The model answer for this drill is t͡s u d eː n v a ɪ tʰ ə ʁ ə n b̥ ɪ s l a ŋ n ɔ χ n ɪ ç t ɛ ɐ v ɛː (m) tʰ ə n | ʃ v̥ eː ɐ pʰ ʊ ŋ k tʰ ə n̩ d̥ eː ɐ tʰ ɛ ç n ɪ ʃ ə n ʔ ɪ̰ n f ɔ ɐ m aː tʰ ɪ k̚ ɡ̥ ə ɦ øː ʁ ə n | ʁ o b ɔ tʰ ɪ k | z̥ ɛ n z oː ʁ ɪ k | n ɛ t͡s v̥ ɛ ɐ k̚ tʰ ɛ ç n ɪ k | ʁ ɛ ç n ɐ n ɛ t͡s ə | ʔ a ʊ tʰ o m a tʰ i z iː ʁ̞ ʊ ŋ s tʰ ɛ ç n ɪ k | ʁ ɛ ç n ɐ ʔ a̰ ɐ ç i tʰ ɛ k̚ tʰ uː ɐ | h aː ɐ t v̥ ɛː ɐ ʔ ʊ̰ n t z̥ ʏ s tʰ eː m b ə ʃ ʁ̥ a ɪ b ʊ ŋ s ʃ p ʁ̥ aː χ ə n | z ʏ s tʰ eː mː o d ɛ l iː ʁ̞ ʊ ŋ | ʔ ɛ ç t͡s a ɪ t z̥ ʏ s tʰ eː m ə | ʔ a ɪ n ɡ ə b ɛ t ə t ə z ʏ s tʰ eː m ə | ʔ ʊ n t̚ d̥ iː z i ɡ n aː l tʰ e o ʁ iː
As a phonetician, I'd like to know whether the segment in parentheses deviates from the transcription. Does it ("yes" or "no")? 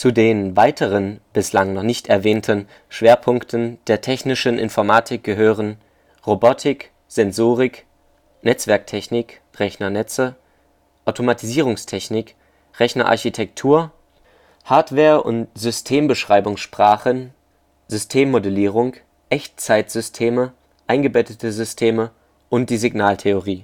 yes